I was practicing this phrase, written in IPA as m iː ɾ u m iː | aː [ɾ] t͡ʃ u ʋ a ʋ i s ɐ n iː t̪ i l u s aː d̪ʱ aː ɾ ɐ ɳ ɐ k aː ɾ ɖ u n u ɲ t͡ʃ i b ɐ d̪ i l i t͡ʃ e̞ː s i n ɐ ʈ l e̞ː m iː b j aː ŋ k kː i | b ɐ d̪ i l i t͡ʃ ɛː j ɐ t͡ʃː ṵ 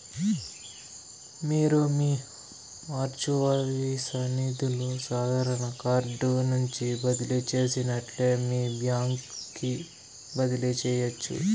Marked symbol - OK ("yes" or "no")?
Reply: yes